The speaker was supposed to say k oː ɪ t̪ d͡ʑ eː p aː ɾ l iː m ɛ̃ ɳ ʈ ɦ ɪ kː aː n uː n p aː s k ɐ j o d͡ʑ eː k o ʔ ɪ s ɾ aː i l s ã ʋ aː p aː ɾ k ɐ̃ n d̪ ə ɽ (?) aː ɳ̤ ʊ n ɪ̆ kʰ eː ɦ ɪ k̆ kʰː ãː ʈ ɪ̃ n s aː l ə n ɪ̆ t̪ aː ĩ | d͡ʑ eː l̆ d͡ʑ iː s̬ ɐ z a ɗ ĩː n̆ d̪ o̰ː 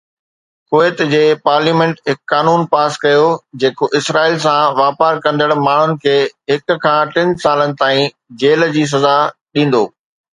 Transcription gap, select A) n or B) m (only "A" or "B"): B